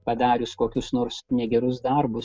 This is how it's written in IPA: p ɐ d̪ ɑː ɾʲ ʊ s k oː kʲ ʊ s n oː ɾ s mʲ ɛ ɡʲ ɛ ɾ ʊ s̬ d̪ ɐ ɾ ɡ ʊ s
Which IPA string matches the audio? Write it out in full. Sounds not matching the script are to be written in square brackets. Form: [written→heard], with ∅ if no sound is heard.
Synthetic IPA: p ɐ d̪ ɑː ɾʲ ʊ s k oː kʲ ʊ s n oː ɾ s [mʲ→nʲ] ɛ ɡʲ ɛ ɾ ʊ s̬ d̪ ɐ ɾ [ɡ→b] ʊ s